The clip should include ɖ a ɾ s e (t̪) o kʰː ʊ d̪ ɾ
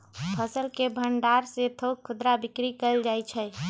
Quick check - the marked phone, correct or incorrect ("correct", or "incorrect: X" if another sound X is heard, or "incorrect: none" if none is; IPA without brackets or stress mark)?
incorrect: t̪ʰ